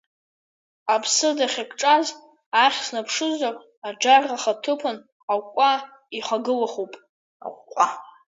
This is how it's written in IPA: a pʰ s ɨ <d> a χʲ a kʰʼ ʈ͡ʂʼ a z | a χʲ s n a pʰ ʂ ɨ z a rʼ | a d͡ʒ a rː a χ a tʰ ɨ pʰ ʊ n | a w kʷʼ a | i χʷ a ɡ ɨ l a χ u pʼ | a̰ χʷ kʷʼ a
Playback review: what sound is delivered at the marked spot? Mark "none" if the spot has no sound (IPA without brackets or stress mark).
d